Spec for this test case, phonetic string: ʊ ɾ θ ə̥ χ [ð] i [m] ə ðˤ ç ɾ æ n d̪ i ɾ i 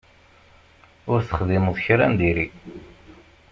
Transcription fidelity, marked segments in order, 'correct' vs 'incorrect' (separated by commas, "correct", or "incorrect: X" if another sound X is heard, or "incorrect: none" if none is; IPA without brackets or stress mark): correct, correct